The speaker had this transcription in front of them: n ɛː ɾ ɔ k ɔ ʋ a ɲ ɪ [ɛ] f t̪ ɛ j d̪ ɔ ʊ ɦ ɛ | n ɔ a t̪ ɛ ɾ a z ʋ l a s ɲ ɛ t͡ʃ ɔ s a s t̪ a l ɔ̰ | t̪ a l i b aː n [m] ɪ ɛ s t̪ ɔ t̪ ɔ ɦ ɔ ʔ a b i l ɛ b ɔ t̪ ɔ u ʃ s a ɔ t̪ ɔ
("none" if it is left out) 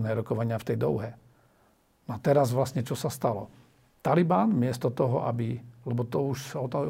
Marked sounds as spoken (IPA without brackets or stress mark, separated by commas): a, m